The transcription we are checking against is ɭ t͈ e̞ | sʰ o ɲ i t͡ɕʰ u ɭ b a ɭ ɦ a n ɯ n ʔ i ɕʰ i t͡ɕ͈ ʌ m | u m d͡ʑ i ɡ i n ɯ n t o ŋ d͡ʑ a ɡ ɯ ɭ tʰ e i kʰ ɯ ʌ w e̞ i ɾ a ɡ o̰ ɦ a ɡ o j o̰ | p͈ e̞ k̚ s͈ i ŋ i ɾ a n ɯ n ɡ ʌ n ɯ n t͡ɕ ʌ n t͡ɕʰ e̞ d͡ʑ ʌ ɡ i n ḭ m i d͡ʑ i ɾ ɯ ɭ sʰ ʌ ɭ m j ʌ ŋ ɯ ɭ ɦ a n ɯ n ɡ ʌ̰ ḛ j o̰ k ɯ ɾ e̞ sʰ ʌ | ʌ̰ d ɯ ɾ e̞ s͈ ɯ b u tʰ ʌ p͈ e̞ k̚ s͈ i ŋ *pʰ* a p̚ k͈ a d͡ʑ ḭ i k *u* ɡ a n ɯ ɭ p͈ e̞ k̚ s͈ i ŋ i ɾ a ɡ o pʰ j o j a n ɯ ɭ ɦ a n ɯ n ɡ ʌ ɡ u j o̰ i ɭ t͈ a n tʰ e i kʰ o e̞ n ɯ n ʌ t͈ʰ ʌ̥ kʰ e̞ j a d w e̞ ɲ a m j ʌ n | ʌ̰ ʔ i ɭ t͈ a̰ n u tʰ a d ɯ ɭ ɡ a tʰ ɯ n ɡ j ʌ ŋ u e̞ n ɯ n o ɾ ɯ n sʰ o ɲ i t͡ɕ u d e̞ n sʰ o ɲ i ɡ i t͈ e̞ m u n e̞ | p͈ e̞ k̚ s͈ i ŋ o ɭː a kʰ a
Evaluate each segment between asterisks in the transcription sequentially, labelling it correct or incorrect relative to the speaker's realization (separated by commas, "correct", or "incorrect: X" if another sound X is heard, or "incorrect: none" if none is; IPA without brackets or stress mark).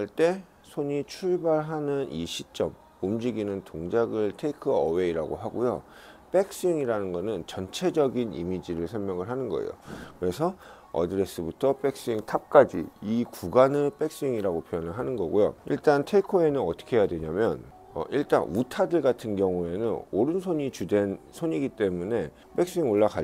incorrect: tʰ, correct